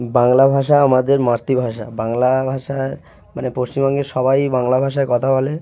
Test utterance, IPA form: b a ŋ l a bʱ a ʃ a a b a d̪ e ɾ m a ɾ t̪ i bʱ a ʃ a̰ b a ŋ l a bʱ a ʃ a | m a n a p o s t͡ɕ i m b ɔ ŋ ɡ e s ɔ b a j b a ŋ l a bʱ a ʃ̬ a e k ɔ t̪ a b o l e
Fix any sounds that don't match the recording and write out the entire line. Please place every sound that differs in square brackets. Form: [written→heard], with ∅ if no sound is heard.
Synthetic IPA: b a ŋ l a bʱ a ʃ a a [b→m] a d̪ e ɾ m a ɾ t̪ i bʱ a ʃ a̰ b a ŋ l a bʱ a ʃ a | m a n [a→e] p o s t͡ɕ i m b ɔ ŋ ɡ e [s→ʃ] ɔ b a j b a ŋ l a bʱ a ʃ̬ a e k ɔ [t̪→t̪ʰ] a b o l e